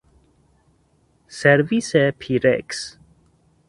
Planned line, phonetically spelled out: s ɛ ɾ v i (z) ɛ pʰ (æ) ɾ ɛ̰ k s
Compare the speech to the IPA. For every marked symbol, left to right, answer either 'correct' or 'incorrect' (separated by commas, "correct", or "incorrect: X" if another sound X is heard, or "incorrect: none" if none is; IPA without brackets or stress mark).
incorrect: s, incorrect: i